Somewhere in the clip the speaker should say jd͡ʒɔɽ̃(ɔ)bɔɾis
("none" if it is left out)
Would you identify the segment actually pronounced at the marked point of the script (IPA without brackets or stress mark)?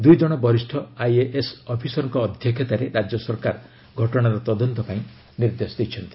ɔ